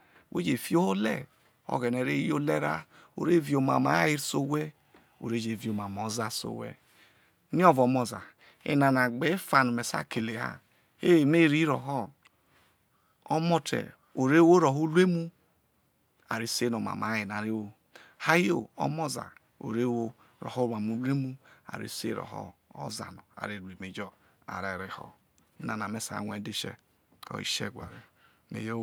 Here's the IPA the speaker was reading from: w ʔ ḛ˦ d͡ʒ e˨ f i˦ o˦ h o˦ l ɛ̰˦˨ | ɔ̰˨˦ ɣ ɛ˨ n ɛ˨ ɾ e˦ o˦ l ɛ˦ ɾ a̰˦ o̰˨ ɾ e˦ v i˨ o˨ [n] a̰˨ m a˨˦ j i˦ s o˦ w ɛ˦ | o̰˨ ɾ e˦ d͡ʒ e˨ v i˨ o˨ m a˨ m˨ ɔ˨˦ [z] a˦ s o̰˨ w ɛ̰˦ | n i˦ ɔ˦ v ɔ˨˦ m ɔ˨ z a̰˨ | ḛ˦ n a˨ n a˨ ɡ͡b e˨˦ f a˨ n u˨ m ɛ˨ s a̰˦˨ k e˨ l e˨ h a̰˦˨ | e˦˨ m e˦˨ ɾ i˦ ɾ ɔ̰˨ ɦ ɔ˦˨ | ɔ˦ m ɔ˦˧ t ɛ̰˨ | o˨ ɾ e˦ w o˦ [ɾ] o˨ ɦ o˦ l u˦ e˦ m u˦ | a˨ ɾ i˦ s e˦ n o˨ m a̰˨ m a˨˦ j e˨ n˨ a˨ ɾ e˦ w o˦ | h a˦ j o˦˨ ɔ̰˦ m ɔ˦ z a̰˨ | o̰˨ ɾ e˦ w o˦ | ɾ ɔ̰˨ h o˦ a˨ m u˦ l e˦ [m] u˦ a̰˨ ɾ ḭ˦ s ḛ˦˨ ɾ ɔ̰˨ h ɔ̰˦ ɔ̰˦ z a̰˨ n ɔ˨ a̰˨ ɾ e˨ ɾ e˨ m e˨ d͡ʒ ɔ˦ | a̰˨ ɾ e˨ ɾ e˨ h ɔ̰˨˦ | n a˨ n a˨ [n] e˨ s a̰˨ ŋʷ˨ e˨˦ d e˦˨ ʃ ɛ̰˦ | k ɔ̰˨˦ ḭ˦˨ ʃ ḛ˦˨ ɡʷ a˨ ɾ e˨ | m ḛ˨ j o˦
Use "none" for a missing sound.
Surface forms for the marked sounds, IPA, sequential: m, z, ɾ, m, m

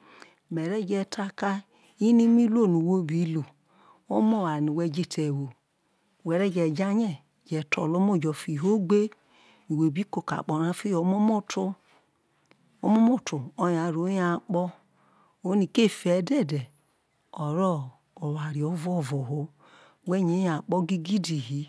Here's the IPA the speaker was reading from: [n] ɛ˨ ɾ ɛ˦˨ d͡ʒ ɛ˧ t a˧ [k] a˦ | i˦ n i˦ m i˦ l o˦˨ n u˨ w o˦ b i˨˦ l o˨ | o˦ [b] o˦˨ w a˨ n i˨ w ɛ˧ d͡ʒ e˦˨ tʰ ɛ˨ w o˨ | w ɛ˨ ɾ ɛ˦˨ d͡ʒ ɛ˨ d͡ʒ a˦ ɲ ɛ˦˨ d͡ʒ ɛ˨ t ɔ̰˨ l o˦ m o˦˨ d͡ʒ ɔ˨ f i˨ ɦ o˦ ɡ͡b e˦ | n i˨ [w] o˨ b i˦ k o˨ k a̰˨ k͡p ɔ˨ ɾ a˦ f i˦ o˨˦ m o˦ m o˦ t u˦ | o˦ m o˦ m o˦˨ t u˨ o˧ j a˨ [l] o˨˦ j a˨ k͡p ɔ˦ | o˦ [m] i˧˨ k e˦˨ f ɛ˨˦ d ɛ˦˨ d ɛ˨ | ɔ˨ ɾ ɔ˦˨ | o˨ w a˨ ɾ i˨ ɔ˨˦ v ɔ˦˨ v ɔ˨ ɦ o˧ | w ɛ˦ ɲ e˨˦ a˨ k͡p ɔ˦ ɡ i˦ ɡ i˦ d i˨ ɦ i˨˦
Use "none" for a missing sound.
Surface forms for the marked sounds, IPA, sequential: m, k, m, w, ɾ, n

